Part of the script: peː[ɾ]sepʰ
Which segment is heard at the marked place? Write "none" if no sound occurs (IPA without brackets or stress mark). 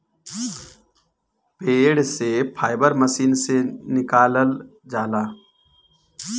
ɽ